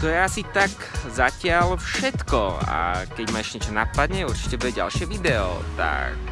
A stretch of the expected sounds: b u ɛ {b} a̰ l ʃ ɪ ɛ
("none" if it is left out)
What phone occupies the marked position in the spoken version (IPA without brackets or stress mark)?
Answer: ɟ